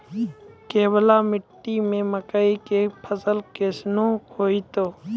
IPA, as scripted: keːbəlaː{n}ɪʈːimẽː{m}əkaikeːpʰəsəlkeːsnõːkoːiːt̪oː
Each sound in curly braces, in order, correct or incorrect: incorrect, correct

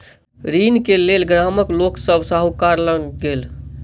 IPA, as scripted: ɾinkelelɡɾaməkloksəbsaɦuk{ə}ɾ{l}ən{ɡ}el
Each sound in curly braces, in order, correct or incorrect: incorrect, correct, correct

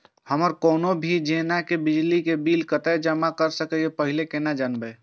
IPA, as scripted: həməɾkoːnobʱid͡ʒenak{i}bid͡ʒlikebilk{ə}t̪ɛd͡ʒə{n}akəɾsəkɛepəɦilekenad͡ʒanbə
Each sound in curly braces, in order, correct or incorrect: incorrect, correct, incorrect

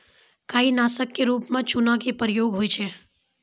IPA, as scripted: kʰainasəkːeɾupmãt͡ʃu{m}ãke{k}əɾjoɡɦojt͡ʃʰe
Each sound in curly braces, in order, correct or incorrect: incorrect, incorrect

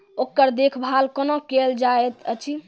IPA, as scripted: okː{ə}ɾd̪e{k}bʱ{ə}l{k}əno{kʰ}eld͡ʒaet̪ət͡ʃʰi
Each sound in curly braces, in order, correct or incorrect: correct, incorrect, incorrect, correct, incorrect

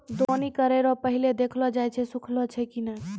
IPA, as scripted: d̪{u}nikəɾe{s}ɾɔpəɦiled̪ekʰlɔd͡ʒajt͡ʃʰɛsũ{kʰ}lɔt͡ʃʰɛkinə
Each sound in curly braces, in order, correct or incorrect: incorrect, incorrect, correct

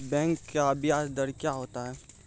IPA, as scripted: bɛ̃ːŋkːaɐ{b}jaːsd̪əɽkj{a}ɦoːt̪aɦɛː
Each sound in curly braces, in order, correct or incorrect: correct, correct

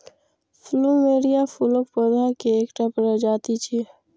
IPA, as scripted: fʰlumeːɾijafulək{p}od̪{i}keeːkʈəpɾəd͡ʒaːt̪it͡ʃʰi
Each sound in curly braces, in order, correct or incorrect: correct, incorrect

